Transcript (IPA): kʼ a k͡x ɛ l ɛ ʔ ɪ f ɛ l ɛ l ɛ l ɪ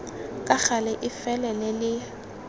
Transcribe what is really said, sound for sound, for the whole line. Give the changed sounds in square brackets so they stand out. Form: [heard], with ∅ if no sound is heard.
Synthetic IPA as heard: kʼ a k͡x [a] l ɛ ʔ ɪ f ɛ l ɛ l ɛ l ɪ